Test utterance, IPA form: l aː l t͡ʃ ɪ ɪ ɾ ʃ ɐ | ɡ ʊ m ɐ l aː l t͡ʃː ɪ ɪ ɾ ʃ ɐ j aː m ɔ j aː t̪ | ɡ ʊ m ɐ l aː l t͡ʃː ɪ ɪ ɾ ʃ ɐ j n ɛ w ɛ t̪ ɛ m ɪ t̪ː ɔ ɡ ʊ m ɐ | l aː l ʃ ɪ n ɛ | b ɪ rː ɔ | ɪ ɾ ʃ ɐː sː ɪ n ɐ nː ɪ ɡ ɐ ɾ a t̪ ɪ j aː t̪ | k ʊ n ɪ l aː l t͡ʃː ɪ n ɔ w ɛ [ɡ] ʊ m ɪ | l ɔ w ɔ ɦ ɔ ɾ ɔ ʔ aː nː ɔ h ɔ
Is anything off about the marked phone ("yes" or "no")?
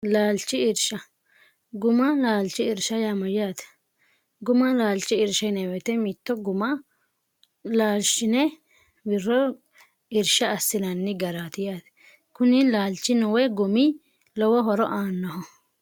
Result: no